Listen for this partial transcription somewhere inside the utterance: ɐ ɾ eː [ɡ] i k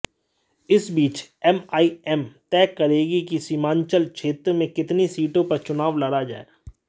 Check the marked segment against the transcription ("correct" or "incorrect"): correct